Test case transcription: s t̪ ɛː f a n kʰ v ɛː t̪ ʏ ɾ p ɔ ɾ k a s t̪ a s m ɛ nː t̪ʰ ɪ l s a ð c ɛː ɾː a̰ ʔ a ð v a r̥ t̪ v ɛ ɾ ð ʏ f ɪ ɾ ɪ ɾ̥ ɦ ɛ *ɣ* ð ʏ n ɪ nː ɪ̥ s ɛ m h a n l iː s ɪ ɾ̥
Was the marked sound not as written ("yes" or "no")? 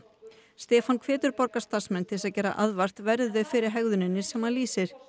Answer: no